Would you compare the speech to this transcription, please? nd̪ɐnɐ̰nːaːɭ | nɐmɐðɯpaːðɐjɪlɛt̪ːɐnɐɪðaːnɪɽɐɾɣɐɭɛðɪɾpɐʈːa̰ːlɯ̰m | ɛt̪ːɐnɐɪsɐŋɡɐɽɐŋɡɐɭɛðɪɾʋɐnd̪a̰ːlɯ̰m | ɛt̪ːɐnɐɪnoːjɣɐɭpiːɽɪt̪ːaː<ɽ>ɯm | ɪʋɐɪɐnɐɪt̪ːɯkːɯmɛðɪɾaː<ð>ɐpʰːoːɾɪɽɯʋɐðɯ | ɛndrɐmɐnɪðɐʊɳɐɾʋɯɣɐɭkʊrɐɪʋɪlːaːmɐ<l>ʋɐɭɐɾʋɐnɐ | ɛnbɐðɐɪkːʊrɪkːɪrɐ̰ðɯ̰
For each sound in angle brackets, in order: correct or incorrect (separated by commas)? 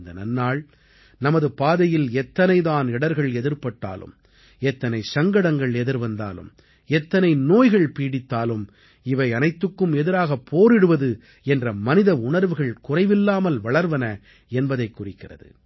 incorrect, incorrect, correct